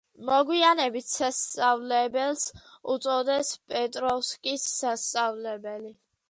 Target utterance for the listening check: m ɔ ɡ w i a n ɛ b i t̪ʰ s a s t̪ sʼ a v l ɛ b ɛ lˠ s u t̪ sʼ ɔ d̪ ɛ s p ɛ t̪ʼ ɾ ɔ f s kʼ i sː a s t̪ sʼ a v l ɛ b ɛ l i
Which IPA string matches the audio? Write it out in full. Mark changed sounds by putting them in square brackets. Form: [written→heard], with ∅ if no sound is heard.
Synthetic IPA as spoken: m ɔ ɡ w i a n ɛ b i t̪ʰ s a s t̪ sʼ a v l ɛ b ɛ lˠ s u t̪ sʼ ɔ d̪ ɛ s [p→pʼ] ɛ t̪ʼ ɾ ɔ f s kʼ i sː a s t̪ sʼ a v l ɛ b ɛ l i